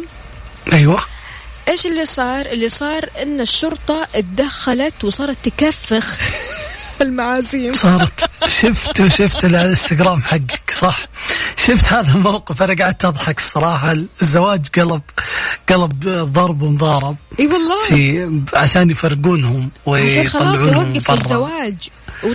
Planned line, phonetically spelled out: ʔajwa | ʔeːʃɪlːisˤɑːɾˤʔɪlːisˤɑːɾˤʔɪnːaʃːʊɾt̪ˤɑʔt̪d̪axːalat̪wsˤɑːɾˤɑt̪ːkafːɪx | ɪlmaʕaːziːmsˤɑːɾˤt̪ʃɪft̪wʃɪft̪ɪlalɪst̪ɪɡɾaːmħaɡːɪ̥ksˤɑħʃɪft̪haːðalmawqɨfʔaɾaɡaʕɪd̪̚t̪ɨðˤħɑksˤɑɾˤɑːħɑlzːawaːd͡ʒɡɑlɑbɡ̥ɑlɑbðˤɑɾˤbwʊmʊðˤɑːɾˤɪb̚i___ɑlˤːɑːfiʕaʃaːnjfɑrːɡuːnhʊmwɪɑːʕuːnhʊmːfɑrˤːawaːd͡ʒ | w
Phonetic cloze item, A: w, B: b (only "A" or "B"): A